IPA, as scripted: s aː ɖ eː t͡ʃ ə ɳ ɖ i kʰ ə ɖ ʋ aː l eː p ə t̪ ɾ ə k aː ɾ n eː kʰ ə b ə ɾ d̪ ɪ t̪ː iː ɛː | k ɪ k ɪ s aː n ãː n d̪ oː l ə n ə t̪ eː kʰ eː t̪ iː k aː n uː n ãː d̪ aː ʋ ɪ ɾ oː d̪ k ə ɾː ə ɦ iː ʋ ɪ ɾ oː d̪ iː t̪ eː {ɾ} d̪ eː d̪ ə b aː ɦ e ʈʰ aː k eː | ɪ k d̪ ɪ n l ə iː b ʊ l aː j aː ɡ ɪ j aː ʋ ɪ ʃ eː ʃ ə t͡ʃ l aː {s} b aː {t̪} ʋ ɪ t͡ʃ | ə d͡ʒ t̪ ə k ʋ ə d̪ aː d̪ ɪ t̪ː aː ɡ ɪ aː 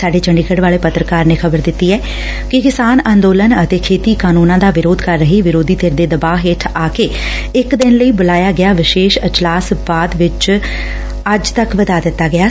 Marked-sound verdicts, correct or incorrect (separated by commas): correct, correct, incorrect